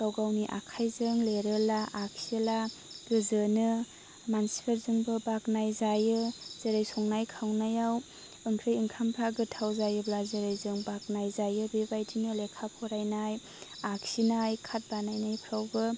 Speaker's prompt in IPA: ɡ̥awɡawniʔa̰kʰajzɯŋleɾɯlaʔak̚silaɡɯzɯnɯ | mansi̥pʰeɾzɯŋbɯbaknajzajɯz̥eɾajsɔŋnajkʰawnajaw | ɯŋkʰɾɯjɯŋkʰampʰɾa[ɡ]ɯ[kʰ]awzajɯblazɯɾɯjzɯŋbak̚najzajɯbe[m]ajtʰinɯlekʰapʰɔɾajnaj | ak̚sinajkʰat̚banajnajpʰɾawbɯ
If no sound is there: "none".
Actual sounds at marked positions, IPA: ɡ, tʰ, b

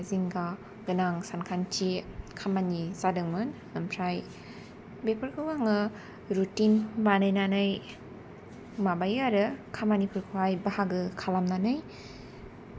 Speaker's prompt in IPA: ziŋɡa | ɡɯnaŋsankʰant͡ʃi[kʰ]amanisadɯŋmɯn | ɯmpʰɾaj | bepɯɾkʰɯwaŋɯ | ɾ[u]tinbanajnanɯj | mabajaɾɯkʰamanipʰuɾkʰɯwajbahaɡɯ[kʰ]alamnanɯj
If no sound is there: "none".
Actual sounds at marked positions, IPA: kʰ, u, kʰ

